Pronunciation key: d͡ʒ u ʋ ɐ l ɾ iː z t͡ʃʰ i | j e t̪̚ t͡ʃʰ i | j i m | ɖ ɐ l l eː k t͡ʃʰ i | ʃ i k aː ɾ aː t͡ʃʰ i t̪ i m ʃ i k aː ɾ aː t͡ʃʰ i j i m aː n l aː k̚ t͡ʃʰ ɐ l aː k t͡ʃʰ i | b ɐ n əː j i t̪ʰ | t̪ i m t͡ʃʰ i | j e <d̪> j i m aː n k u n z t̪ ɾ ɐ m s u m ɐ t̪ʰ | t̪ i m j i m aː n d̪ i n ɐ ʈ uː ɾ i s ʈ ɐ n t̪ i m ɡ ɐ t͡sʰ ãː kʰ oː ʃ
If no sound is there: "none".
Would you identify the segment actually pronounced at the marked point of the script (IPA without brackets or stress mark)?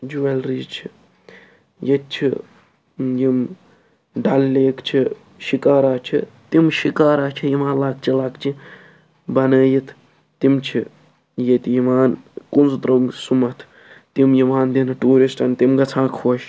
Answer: t̪